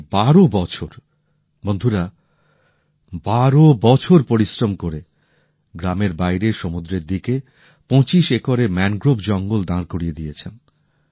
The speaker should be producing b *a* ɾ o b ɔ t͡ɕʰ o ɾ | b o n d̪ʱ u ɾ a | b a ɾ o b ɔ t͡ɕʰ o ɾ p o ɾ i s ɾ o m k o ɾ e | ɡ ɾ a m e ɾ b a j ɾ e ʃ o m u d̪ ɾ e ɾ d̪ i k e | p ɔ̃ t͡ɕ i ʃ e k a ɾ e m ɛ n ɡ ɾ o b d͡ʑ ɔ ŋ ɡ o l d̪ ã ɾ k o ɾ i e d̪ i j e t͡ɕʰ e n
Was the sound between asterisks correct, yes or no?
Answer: yes